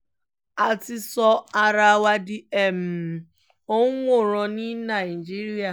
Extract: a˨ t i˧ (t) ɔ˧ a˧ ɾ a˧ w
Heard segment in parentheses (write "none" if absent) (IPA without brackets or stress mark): s